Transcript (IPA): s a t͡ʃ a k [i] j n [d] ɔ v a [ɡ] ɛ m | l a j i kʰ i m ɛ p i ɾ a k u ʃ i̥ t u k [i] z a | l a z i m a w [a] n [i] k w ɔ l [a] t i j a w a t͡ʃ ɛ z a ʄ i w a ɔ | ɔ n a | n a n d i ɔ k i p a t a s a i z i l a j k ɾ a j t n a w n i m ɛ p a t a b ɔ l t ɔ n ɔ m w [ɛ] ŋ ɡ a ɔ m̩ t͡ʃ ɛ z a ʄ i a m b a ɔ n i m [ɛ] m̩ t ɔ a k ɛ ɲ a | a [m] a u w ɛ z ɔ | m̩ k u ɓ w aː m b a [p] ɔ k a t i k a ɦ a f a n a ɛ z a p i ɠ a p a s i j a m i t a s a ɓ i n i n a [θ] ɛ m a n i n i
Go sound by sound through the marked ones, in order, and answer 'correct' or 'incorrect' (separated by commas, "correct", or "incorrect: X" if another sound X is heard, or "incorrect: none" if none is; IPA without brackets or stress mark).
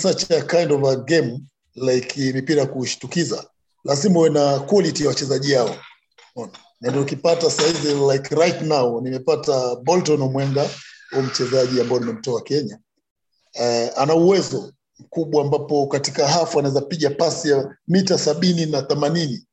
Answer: incorrect: a, correct, correct, correct, incorrect: ɛ, incorrect: a, incorrect: i, correct, correct, incorrect: n, correct, correct